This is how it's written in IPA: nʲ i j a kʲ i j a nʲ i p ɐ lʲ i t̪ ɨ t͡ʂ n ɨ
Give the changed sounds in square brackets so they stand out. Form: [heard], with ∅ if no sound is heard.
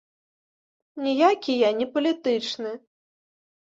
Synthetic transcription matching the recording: nʲ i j a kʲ i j a nʲ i p ɐ lʲ i t̪ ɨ t͡ʂ n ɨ